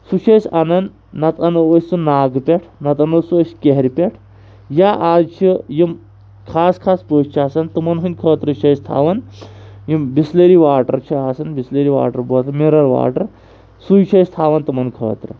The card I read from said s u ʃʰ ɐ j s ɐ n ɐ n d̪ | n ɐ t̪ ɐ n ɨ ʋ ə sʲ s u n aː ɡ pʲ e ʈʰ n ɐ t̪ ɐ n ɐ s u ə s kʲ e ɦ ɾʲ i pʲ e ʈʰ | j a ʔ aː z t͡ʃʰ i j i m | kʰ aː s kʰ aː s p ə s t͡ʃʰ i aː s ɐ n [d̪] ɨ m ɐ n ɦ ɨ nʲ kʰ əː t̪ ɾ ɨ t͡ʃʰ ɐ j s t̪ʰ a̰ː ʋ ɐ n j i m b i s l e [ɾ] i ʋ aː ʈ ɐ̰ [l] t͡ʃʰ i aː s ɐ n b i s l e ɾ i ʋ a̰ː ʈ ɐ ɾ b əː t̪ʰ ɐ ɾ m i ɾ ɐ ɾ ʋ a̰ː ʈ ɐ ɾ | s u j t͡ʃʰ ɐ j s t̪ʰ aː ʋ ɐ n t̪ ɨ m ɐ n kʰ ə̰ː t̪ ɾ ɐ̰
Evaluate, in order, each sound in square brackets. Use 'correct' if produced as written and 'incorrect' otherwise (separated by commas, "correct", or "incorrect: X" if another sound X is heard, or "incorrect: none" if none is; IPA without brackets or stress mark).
incorrect: t̪, correct, incorrect: ɾ